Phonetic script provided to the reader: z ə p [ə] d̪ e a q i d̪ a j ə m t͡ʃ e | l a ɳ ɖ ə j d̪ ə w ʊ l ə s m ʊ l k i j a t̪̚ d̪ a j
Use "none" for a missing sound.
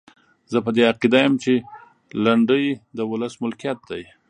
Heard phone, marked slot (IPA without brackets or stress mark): ə